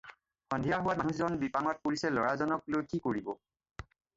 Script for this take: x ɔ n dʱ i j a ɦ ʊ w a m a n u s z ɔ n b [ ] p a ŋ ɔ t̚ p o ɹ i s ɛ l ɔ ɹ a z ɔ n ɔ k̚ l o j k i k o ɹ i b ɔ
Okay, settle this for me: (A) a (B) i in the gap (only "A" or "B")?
B